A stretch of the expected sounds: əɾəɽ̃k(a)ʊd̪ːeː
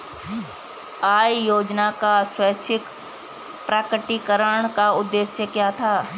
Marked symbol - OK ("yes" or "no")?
yes